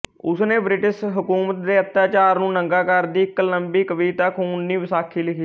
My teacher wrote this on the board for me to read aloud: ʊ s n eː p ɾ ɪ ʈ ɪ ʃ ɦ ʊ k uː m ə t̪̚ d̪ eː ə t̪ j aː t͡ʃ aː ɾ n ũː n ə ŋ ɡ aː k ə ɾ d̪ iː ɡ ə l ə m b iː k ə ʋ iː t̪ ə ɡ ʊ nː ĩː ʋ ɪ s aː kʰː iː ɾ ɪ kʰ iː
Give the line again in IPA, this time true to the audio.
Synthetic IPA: ʊ s n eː b ɾ ɪ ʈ ɪ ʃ ɦ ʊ k uː m ə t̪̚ d̪ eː ə t̪ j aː t͡ʃ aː ɾ n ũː n ə ŋ ɡ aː k ə ɾ d̪ iː k ə l ə m b iː k ə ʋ iː t̪ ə k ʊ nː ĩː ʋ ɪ s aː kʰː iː l ɪ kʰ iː